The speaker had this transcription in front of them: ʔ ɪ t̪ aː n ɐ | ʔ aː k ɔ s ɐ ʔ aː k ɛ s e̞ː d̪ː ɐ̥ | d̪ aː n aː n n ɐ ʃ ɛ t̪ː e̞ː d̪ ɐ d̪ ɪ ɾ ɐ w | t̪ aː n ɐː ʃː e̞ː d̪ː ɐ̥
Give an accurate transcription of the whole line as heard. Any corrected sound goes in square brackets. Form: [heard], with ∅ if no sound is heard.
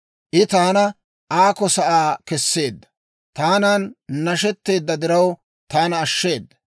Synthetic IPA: ʔ ɪ t̪ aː n ɐ | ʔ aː k ɔ s ɐ ʔ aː k ɛ [sː] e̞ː d̪ː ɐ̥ | [t̪] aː n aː n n ɐ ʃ ɛ t̪ː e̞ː [d̪ː] ɐ d̪ ɪ ɾ ɐ w | t̪ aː n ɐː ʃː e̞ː d̪ː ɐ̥